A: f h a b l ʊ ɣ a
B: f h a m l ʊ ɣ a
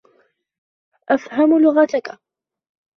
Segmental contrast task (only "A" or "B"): B